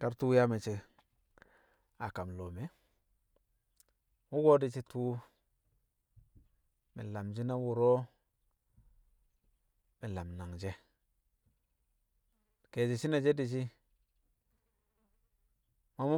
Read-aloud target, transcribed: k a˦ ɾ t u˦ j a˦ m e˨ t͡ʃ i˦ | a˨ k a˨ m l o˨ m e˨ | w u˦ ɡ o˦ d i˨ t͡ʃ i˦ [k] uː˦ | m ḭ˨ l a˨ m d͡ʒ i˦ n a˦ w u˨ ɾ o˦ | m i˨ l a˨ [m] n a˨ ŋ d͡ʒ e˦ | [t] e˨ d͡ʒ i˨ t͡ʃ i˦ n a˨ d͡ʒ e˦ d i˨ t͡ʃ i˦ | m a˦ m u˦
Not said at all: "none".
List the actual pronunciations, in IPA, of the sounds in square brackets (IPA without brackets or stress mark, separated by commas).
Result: t, m, k